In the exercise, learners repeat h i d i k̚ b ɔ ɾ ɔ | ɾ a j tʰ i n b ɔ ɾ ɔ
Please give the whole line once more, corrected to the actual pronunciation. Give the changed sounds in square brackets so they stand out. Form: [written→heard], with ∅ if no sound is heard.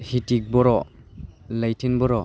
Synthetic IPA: h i [d→t] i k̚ b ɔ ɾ ɔ | [ɾ→l] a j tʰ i n b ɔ ɾ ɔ

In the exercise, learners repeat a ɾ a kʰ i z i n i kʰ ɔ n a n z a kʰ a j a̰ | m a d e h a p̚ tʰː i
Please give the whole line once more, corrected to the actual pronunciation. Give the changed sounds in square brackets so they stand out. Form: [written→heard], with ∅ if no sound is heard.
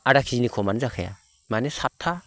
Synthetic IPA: a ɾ a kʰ i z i n i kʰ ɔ [n→m] a n z a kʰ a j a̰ | m a [d→n] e [h→s] a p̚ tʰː [i→a]

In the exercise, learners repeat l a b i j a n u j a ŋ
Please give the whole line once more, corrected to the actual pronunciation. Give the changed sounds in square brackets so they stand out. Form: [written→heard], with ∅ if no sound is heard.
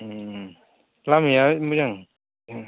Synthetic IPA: l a [b→m] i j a [n→m] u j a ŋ

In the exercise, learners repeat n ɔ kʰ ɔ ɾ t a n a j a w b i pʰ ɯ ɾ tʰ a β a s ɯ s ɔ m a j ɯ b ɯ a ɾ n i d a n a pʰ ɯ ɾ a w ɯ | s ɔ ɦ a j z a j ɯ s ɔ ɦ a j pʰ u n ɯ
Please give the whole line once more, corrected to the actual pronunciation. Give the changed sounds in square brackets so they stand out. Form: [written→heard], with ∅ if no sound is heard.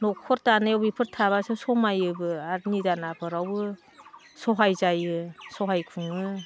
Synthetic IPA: n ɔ kʰ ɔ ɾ t a n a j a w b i pʰ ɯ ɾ tʰ a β a s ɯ s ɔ m a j ɯ b ɯ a ɾ n i d a n a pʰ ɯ ɾ a w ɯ | s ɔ ɦ a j z a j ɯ s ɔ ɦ a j [pʰ→kʰ] u [n→ŋ] ɯ

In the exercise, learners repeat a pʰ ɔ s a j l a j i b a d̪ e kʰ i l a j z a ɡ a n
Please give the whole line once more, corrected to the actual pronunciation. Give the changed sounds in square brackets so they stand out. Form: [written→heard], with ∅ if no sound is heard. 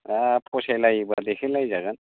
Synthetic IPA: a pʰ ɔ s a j l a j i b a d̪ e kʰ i l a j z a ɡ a n

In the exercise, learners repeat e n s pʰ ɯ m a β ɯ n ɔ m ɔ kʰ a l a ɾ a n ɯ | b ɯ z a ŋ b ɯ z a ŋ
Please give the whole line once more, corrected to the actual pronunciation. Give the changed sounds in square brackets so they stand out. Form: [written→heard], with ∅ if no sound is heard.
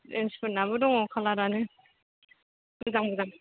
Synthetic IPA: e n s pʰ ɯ [m→n] a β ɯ [n→d] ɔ [m→ŋ] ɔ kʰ a l a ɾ a n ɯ | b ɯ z a ŋ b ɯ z a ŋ

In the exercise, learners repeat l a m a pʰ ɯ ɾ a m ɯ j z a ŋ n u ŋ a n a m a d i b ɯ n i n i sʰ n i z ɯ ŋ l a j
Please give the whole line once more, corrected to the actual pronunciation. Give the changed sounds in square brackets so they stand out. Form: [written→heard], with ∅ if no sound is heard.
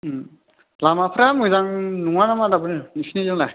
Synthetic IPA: l a m a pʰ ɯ ɾ a m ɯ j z a ŋ n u ŋ a n a m a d [i→a] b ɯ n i n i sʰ n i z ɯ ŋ l a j

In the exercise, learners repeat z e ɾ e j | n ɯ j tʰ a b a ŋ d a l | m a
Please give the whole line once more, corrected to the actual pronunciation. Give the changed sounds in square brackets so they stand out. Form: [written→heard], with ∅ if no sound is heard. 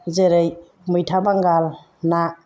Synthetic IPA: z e ɾ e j | [n→m] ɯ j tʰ a b a ŋ [d→ɡ] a l | [m→n] a

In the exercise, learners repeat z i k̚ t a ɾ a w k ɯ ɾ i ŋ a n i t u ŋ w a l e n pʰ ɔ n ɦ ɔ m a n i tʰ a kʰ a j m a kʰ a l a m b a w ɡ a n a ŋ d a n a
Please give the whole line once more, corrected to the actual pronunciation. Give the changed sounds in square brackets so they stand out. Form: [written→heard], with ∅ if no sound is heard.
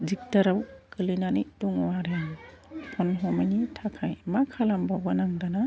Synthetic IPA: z i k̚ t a ɾ a w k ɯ [ɾ→l] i [ŋ→n] a n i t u ŋ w a [l→ɾ] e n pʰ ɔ n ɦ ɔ m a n i tʰ a kʰ a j m a kʰ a l a m b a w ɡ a n a ŋ d a n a

